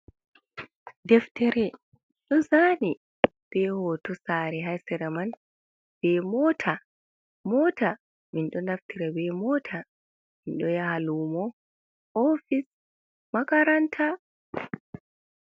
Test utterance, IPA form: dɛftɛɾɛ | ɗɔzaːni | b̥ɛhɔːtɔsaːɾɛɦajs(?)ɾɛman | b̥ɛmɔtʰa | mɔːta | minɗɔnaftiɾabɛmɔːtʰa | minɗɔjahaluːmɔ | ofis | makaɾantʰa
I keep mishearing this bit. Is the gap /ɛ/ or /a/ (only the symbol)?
ɛ